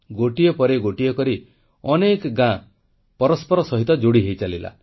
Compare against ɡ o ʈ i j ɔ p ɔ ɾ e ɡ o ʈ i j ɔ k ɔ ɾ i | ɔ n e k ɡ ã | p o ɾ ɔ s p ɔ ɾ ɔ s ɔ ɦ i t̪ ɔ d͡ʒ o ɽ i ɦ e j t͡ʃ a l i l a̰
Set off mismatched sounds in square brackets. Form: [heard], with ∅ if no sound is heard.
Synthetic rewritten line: ɡ o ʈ i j ɔ p ɔ ɾ e ɡ o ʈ i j ɔ k ɔ ɾ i | ɔ n e k ɡ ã | p [ɔ] ɾ ɔ s p ɔ ɾ ɔ s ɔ ɦ i t̪ ɔ d͡ʒ o ɽ i ɦ e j t͡ʃ a l i l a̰